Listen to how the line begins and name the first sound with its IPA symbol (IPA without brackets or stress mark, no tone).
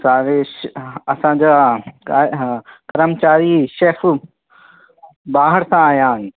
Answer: s